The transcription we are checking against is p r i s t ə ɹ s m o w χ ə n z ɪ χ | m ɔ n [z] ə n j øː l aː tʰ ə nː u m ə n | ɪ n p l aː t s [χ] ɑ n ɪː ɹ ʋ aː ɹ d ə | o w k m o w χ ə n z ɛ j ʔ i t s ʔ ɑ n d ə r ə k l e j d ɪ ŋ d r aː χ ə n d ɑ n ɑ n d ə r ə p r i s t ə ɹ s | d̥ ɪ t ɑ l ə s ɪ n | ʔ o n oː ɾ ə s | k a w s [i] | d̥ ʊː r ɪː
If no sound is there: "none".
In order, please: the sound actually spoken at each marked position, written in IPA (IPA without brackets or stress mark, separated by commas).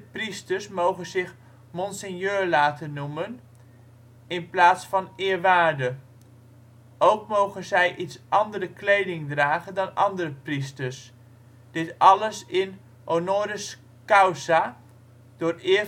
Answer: s, f, a